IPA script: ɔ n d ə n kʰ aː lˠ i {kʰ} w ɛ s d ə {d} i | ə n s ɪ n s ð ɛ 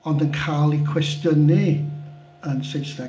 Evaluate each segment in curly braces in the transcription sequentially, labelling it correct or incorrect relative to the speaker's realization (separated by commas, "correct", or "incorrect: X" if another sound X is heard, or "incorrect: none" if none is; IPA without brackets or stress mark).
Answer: correct, incorrect: n